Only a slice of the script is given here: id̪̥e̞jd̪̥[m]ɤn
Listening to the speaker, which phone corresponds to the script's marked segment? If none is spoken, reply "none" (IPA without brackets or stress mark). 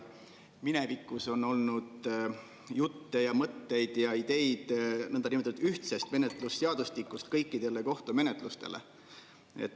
n